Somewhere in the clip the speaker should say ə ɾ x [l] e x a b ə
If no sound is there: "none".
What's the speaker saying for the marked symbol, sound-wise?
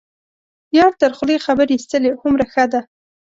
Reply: l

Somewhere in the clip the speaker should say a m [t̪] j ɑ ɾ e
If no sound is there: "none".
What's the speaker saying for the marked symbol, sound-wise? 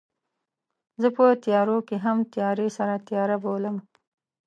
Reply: t̪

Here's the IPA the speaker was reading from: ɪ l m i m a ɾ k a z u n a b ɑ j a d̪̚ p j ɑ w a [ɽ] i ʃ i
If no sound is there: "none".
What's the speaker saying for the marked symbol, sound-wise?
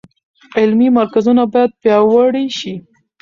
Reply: ɽ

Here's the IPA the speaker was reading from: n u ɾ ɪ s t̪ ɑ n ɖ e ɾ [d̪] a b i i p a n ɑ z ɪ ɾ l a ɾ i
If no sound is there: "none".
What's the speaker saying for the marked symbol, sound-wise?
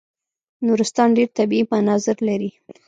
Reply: t̪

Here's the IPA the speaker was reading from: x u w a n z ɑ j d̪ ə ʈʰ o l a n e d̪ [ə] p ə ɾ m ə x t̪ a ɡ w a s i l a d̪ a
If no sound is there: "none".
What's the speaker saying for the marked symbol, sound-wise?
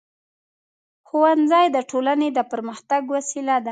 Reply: ə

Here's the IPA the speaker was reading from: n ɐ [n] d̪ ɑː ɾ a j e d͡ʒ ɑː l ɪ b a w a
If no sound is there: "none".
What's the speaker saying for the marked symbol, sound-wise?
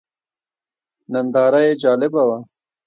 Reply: n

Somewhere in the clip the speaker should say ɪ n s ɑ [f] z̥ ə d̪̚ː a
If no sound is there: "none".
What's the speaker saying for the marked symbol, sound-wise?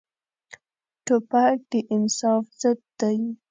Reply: f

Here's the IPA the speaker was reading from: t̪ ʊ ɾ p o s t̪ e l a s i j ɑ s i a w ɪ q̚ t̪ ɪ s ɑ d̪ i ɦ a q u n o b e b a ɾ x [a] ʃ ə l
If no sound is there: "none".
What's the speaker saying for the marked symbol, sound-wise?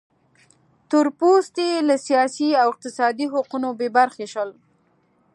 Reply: e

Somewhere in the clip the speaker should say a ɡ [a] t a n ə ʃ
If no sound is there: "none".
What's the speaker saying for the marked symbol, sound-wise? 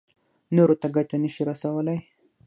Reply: a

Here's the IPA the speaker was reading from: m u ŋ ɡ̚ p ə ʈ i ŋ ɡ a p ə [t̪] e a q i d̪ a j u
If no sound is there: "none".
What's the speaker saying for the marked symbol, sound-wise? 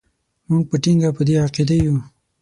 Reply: d̪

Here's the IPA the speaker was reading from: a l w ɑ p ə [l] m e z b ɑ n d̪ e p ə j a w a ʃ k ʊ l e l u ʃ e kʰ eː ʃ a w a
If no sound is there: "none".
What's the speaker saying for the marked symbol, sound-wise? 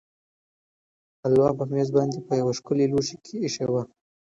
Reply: none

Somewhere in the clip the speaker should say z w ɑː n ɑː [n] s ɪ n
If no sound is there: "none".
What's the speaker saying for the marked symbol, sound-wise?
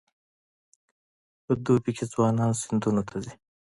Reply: n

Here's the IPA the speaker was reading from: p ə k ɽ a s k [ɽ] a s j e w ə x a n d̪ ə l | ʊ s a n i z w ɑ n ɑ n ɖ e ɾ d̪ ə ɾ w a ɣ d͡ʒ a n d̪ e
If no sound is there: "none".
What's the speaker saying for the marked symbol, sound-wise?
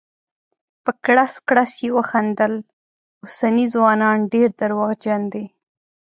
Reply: ɽ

